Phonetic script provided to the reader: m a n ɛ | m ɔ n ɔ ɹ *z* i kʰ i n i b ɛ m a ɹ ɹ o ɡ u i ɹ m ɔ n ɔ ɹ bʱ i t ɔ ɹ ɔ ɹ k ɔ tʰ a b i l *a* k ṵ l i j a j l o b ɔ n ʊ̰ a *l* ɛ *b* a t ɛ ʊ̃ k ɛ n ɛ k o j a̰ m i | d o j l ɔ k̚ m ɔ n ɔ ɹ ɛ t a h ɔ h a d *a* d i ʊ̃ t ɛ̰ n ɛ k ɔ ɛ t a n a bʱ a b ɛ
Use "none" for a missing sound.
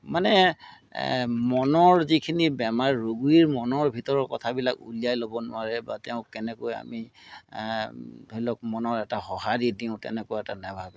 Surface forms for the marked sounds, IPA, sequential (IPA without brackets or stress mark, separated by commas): z, a, ɹ, b, i